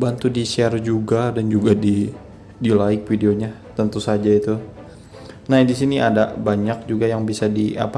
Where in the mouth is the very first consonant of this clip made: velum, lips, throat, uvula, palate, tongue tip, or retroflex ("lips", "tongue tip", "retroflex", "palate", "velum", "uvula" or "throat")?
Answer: lips